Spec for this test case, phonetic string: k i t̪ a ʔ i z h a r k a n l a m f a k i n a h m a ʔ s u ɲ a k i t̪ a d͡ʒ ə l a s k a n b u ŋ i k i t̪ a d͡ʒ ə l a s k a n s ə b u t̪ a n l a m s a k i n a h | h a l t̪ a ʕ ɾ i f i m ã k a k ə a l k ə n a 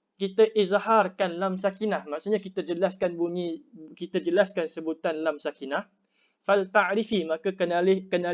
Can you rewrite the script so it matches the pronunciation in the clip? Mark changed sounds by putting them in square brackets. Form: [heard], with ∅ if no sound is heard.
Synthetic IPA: k i t̪ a ʔ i z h a r k a n l a m [s] a k i n a h m a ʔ s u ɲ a k i t̪ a d͡ʒ ə l a s k a n b u [ɲ] i k i t̪ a d͡ʒ ə l a s k a n s ə b u t̪ a n l a m s a k i n a h | [f] a l t̪ a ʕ ɾ i f i m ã k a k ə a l k ə n a